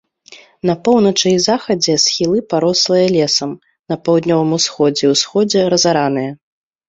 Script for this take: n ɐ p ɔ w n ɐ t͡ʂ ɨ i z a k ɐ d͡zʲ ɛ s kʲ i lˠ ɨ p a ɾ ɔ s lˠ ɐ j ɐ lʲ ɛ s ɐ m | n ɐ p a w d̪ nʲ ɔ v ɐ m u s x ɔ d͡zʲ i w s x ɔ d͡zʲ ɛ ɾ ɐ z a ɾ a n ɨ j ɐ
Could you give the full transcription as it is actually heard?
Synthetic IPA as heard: n ɐ p ɔ w n ɐ t͡ʂ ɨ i z a x ɐ d͡zʲ ɛ s xʲ i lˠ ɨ p a ɾ ɔ s lˠ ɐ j ɐ lʲ ɛ s ɐ m | n ɐ p a w d̪ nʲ ɔ v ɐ m u s x ɔ d͡zʲ ɛ w s x ɔ d͡zʲ ɛ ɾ ɐ z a ɾ a n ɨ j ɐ